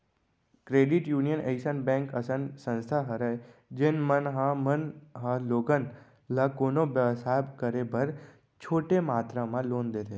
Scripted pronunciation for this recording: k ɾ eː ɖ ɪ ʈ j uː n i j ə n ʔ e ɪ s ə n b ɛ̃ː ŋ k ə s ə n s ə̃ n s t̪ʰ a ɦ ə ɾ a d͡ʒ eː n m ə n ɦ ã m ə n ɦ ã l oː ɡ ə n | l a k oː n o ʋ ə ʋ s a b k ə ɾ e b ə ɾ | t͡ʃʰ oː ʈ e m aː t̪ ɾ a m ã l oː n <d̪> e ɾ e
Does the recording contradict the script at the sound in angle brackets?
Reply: no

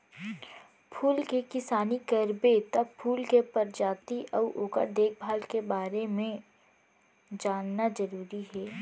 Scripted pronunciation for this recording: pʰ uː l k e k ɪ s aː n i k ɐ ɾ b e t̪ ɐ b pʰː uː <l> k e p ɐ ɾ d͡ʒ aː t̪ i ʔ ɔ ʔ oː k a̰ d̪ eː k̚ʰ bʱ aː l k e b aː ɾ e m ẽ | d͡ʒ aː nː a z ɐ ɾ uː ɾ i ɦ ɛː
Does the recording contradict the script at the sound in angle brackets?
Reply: no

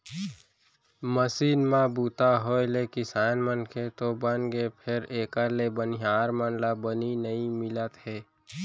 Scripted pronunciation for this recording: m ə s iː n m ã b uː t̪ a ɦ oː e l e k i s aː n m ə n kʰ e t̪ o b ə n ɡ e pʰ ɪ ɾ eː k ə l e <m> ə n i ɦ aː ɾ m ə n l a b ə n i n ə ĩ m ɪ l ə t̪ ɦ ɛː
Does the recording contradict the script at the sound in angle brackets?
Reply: yes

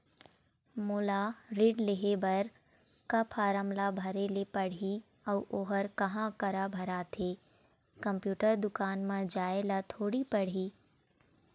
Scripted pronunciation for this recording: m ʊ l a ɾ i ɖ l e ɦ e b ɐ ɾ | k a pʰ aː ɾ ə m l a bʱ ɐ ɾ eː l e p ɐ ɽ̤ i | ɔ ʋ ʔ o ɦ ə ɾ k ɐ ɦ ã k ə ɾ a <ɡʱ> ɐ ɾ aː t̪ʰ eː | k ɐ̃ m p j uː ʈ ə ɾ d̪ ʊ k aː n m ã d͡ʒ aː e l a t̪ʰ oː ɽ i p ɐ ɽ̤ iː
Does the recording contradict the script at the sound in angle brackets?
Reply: yes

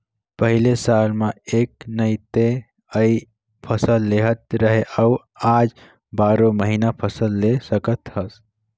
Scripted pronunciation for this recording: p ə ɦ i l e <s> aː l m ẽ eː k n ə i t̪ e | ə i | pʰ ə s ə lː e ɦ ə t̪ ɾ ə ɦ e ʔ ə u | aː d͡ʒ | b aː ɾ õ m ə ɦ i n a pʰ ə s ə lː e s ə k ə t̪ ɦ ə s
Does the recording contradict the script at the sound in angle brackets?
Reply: no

